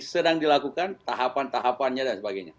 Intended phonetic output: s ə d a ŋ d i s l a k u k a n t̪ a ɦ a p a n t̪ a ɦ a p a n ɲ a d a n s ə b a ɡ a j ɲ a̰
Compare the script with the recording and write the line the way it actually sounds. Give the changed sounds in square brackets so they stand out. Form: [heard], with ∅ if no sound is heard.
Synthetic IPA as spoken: s ə d a ŋ d i [∅] l a k u k a n t̪ a ɦ a p a n t̪ a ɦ a p a n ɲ a d a n s ə b a ɡ a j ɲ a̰